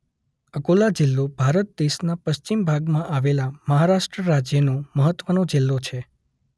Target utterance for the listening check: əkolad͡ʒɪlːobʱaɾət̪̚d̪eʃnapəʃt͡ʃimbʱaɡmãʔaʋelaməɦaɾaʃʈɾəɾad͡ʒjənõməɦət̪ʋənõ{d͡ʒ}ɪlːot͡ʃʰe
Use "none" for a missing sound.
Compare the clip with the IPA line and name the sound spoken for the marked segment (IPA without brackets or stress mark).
d͡ʒ